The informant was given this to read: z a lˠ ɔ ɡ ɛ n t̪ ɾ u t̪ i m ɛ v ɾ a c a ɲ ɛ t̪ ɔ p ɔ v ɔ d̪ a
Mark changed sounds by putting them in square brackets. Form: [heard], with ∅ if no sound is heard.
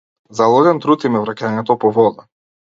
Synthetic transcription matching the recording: z a lˠ ɔ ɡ ɛ n t̪ ɾ u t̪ i m ɛ v ɾ a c a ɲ ɛ t̪ ɔ p ɔ v ɔ d̪ a

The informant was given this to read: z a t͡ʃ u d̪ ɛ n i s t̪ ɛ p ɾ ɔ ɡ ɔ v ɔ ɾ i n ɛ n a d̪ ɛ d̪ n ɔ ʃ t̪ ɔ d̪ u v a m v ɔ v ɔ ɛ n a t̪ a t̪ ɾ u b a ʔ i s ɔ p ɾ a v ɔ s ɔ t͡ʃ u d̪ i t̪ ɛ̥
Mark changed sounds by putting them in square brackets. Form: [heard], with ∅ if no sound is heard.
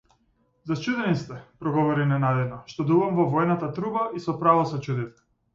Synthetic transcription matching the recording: z a t͡ʃ u d̪ ɛ n i s t̪ ɛ p ɾ ɔ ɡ ɔ v ɔ ɾ i n ɛ n a d̪ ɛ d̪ n ɔ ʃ t̪ ɔ d̪ u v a m v ɔ v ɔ ɛ n a t̪ a t̪ ɾ u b a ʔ i s ɔ p ɾ a v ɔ s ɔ t͡ʃ u d̪ i t̪ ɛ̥

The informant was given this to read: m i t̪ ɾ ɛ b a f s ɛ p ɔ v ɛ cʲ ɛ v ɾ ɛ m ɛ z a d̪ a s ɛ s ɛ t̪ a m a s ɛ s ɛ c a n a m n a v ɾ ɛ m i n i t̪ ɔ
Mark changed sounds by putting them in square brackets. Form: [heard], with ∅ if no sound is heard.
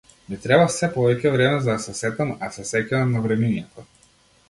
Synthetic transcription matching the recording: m i t̪ ɾ ɛ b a f s ɛ p ɔ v ɛ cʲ ɛ v ɾ ɛ m ɛ z a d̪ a s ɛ s ɛ t̪ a m a s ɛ s ɛ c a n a m n a v ɾ ɛ m i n [ɛ] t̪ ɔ

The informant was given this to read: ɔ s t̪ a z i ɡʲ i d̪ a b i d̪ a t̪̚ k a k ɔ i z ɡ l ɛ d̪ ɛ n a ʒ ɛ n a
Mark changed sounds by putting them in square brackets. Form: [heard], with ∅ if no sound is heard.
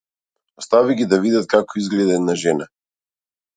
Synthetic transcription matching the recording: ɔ s t̪ a [v] i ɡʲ i d̪ a [v] i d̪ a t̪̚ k a k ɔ i z ɡ l ɛ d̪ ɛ n a ʒ ɛ n a

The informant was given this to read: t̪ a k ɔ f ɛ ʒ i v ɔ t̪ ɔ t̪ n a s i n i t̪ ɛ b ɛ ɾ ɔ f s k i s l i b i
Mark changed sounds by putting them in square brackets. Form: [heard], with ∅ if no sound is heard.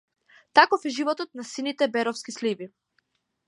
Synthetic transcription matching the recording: t̪ a k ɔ f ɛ ʒ i v ɔ t̪ ɔ t̪ n a s i n i t̪ ɛ b ɛ ɾ ɔ f s k i s l i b i

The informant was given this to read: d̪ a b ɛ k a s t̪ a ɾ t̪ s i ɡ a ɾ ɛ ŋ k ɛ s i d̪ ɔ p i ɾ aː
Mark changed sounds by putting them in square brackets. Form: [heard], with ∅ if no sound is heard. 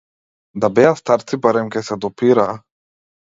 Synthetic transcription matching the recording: d̪ a b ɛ [∅] a s t̪ a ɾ t̪ s i [b] a ɾ ɛ [m] k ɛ s [ɛ] d̪ ɔ p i ɾ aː

